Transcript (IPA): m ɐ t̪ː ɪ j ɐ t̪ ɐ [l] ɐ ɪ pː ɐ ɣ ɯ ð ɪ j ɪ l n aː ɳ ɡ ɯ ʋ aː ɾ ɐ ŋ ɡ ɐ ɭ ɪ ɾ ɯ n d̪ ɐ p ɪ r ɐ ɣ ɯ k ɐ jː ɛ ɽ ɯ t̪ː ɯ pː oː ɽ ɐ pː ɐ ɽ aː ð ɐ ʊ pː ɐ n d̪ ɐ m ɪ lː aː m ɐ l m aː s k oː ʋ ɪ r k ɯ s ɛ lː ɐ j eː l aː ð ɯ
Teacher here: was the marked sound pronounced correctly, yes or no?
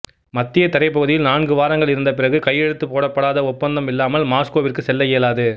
no